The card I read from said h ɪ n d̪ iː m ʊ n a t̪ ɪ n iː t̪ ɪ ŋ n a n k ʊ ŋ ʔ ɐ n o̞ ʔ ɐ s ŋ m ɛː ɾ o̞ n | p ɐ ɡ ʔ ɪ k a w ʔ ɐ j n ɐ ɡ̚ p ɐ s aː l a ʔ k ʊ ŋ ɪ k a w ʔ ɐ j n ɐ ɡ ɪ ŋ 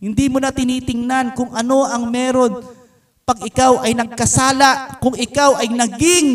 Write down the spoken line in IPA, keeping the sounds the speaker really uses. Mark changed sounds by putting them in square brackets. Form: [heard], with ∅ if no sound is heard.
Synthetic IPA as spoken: h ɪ n d̪ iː m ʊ n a t̪ ɪ n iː t̪ ɪ ŋ n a n k ʊ ŋ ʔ ɐ n o̞ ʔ ɐ [∅] ŋ m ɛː ɾ o̞ n | p ɐ ɡ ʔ ɪ k a w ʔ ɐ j n ɐ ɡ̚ [k] ɐ s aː l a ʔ k ʊ ŋ ɪ k a w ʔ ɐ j n ɐ ɡ ɪ ŋ